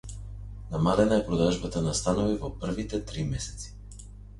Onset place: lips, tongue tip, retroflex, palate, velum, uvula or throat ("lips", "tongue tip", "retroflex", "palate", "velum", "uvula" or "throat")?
tongue tip